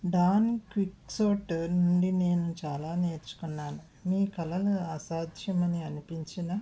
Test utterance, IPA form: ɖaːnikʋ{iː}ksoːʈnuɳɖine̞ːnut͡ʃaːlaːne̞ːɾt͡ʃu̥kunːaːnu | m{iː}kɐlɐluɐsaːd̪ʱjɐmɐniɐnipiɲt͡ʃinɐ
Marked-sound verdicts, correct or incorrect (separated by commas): incorrect, correct